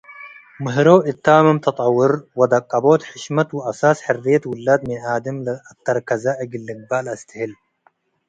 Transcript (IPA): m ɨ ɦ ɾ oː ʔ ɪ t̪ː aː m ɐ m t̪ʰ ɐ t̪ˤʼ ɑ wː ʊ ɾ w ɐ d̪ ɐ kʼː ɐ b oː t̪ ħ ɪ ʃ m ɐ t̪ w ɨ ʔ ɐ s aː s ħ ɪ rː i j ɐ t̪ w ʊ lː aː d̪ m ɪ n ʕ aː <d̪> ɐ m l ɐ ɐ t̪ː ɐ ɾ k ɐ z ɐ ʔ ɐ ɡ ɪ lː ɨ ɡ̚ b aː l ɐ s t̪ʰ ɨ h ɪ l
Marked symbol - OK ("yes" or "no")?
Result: yes